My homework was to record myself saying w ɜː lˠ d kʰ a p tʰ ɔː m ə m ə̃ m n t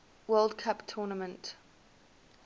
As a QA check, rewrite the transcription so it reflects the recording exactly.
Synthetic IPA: w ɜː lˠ d kʰ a p tʰ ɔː n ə m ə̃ n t